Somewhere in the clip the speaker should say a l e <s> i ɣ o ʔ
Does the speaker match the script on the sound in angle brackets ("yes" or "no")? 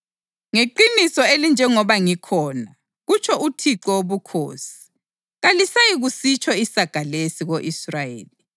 yes